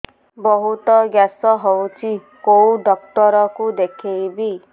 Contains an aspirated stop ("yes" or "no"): yes